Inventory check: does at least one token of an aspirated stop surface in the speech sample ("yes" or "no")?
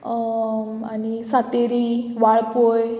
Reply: no